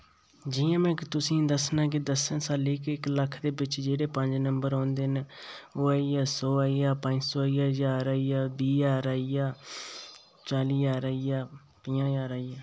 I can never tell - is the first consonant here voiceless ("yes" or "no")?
no